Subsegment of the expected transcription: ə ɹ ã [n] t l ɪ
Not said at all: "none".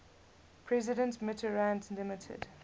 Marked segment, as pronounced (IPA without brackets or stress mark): n